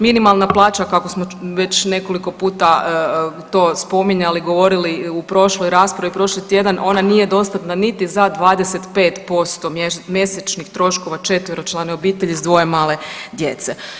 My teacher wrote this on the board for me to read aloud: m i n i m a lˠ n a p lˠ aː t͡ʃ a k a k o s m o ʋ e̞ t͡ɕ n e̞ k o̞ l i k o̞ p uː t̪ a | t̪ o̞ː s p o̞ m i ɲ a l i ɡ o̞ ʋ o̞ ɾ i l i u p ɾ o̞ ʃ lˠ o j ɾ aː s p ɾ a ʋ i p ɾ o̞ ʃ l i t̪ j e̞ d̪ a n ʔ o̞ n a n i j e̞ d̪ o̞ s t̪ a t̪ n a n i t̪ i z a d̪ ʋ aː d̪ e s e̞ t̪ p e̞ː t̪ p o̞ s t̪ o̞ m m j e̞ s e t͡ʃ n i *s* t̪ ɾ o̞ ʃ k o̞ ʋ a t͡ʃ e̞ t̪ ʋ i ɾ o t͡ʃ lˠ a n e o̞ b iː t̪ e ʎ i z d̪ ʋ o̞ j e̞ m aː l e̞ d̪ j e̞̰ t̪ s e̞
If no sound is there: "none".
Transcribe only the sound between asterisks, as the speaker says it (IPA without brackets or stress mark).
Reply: x